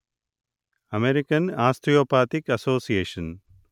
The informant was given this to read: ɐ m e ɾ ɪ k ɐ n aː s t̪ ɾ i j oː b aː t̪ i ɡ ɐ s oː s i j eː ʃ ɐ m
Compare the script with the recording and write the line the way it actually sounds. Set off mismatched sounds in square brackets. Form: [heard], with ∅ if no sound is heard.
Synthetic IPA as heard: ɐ m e ɾ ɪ k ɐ n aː s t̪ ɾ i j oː [p] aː t̪ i [k] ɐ s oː s i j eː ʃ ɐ [n]